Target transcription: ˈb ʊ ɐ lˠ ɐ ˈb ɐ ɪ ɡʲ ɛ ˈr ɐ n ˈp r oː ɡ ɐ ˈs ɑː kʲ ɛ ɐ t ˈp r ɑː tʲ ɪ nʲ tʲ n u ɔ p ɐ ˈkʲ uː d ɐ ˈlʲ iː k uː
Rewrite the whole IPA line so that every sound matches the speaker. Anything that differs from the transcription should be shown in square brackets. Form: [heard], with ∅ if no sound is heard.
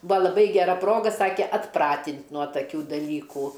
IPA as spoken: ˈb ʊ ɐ lˠ ɐ ˈb ɐ ɪ ɡʲ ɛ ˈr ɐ [∅] ˈp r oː ɡ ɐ ˈs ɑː kʲ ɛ ɐ t ˈp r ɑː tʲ ɪ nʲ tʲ n u ɔ [t] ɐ ˈkʲ uː d ɐ ˈlʲ iː k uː